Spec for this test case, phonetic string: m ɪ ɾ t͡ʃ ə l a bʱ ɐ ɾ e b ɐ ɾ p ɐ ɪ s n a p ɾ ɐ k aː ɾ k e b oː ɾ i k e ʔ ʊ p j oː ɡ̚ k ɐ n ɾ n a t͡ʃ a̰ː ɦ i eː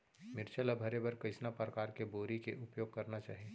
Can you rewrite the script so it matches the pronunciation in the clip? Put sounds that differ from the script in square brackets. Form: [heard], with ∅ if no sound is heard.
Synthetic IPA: m ɪ ɾ t͡ʃ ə l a bʱ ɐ ɾ e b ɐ ɾ [k] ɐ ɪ s n a p ɾ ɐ k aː ɾ k e b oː ɾ i k e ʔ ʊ p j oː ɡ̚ k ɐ [∅] ɾ n a t͡ʃ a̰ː ɦ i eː